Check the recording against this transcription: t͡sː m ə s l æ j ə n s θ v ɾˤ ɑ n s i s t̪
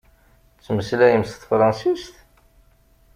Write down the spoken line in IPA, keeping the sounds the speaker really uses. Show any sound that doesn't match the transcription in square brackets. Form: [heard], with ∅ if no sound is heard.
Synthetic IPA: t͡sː m ə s l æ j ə [m] s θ [f] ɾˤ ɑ n s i s t̪